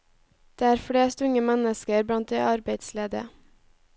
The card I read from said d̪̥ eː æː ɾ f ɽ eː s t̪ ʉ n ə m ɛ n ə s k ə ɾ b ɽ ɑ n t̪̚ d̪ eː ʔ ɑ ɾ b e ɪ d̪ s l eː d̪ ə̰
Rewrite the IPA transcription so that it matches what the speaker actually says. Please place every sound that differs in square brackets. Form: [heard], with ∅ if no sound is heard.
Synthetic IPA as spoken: d̪̥ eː æː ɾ f ɽ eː s t̪ ʉ [ŋ] ə m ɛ n ə s k ə ɾ b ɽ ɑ n t̪̚ d̪ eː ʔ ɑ ɾ b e ɪ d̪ s l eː d̪ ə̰